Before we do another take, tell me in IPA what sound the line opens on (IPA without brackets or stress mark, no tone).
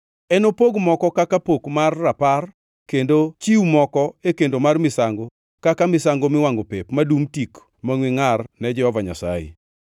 ɛ